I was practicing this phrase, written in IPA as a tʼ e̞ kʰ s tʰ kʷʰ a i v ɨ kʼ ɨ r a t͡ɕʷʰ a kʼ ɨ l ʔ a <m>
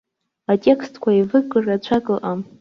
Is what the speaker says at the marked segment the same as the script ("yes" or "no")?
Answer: yes